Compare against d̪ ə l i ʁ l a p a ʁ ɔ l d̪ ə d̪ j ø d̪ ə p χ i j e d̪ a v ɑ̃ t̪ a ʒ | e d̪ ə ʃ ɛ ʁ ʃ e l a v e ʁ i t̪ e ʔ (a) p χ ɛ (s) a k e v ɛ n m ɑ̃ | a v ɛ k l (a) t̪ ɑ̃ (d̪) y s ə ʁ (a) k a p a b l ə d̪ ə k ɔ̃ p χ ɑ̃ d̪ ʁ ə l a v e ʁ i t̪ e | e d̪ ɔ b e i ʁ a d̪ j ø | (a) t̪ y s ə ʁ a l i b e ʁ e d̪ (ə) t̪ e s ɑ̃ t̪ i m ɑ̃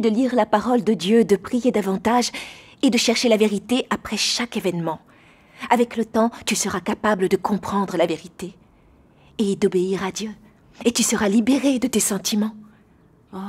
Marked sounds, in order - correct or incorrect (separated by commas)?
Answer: correct, incorrect, incorrect, incorrect, correct, incorrect, correct